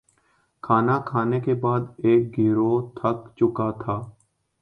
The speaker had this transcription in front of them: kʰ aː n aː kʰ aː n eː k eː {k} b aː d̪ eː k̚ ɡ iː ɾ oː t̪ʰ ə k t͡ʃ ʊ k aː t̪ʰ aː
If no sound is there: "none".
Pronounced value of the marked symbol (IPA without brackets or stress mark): none